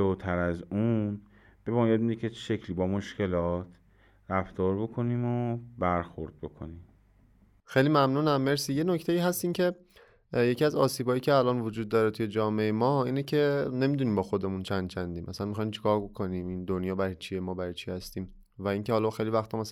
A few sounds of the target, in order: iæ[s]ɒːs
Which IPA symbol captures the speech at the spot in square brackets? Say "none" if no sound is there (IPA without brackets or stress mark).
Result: z